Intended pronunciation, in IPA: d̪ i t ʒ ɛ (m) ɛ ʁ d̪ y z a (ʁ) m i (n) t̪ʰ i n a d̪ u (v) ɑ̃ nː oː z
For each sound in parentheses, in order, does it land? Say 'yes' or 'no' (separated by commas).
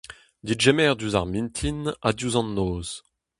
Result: yes, yes, yes, no